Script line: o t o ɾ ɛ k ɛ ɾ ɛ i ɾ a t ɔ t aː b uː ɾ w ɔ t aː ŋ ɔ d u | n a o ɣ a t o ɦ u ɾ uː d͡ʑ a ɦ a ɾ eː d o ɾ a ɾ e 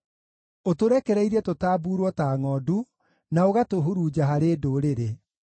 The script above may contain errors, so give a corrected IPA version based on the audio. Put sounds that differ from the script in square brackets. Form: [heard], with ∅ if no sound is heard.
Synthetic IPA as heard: o t o ɾ ɛ k ɛ ɾ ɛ i ɾ [ɛ] t [o] t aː b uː ɾ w ɔ t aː ŋ ɔ d u | n a o ɣ a t o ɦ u ɾ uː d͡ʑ a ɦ a ɾ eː d o ɾ [e] ɾ e